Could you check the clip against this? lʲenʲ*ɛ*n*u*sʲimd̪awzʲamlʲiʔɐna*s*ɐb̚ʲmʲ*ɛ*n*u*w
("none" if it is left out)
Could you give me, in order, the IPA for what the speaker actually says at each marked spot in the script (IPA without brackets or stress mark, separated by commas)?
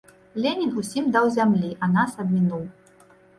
i, u, s, i, u